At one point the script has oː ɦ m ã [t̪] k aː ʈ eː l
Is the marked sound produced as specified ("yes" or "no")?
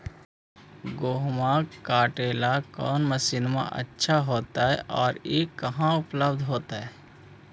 no